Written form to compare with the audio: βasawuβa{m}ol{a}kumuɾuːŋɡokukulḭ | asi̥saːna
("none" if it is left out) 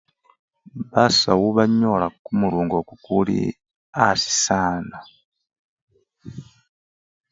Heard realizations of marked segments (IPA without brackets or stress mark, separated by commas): ɲ, a